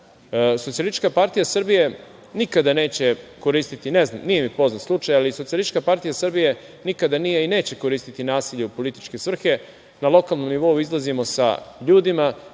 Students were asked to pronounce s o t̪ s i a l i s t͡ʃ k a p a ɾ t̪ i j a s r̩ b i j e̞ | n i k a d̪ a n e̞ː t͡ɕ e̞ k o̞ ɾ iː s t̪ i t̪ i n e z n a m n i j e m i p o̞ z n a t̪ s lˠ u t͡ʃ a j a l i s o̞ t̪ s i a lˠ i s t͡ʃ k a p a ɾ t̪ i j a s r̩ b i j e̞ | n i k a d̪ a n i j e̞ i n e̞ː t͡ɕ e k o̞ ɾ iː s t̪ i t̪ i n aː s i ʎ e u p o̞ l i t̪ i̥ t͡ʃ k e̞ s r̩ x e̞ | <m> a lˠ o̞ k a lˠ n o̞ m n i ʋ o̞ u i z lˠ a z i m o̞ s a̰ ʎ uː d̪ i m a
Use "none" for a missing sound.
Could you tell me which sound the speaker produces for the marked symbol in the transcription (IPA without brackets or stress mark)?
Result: n